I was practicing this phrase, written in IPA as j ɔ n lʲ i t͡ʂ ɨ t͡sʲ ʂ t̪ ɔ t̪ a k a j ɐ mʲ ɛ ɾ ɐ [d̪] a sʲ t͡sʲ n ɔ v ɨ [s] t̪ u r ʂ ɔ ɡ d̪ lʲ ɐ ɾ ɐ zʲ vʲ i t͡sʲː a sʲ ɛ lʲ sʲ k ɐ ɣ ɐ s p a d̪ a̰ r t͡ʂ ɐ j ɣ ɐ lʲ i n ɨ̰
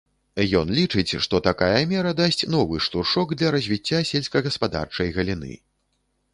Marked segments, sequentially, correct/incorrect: correct, incorrect: ʂ

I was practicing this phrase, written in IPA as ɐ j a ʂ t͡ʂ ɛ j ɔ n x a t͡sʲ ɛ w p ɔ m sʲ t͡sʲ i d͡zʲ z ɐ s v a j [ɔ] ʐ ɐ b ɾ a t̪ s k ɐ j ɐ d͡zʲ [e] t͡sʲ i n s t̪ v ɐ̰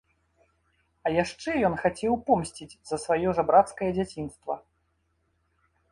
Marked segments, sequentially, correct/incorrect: correct, incorrect: a

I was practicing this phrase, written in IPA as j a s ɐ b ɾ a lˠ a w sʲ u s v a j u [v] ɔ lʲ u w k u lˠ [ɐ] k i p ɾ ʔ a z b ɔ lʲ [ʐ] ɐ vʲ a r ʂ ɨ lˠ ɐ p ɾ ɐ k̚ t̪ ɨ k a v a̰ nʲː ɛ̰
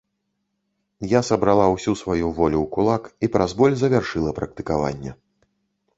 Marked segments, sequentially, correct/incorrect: correct, incorrect: a, incorrect: z

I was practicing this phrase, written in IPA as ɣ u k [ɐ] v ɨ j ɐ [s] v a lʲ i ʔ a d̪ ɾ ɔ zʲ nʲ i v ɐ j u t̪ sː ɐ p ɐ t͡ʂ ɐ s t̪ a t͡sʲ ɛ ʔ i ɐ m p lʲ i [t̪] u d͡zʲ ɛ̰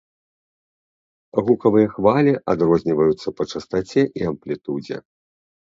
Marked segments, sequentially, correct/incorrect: correct, incorrect: x, correct

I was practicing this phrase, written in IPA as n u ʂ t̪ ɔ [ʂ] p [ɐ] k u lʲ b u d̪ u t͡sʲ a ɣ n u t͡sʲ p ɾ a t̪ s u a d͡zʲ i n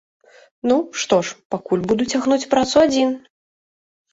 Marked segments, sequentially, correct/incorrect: correct, incorrect: a

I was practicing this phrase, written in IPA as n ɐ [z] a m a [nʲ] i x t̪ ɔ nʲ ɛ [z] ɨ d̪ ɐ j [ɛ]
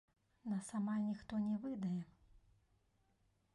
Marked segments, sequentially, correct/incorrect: incorrect: s, correct, incorrect: v, correct

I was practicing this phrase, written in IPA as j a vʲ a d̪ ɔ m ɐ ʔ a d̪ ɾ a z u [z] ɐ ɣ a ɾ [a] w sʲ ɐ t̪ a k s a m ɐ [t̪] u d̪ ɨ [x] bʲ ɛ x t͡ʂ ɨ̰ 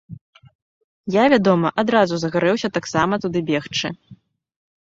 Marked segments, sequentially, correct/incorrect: correct, incorrect: ɛ, correct, incorrect: none

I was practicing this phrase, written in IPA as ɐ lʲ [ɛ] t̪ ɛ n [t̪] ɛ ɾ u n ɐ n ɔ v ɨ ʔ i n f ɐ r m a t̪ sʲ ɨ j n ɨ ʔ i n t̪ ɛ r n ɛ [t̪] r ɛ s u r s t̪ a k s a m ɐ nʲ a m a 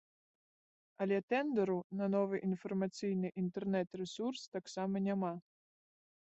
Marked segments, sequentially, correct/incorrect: correct, incorrect: d̪, correct

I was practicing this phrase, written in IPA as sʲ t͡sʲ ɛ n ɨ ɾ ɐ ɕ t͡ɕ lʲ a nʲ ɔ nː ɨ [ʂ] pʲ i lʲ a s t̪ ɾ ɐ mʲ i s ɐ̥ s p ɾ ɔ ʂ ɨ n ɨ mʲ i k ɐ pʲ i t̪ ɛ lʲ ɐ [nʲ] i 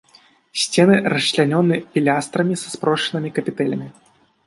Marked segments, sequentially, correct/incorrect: incorrect: none, incorrect: mʲ

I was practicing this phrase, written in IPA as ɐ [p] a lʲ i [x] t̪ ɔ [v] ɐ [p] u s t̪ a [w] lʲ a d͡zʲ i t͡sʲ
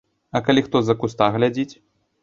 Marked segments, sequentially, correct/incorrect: incorrect: k, correct, incorrect: z, incorrect: k, incorrect: ɣ

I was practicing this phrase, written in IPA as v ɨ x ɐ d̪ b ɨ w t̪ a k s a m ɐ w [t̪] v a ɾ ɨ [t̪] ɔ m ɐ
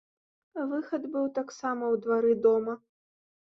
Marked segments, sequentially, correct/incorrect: incorrect: d̪, incorrect: d̪

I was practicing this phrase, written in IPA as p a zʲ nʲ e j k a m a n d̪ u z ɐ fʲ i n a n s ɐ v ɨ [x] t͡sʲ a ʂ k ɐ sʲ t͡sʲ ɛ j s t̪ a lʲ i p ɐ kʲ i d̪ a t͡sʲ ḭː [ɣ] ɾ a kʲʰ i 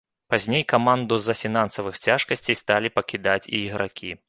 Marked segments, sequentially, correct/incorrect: correct, correct

